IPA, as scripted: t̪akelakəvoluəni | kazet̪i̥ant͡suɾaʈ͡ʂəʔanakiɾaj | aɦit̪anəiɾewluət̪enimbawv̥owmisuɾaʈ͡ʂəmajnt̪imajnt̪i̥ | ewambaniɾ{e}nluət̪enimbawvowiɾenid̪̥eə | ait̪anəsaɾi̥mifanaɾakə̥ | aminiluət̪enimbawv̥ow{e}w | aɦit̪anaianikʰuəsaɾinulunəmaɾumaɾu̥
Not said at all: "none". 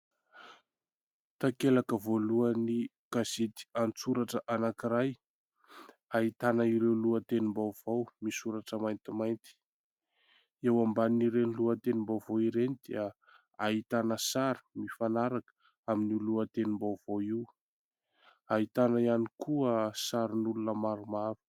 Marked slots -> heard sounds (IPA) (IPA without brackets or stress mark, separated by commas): e, i